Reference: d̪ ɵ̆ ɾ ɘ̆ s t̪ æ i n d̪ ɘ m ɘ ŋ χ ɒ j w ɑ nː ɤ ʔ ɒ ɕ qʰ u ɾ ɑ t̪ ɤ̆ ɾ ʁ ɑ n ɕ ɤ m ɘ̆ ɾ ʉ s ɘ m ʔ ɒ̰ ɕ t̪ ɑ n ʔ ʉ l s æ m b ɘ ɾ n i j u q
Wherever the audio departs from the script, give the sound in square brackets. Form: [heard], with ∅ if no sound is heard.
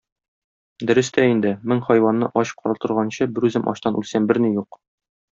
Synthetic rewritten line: d̪ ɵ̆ ɾ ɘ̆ s t̪ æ i n d̪ ɘ m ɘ ŋ χ ɒ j w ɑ nː ɤ ʔ ɒ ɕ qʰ [ɒ] ɾ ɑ t̪ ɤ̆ ɾ ʁ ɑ n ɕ ɤ [b] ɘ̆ ɾ ʉ [z] ɘ m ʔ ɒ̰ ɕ t̪ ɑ n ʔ ʉ l s æ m b ɘ ɾ n i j u q